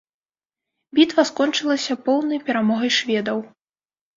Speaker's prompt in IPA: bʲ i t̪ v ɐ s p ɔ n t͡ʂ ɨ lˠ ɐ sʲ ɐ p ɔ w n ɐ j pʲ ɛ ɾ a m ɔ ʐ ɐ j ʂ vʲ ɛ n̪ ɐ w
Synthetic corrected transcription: bʲ i t̪ v ɐ s k ɔ n t͡ʂ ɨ lˠ ɐ sʲ ɐ p ɔ w n ɐ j pʲ ɛ ɾ a m ɔ ɣ ɐ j ʂ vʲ ɛ d̪ ɐ w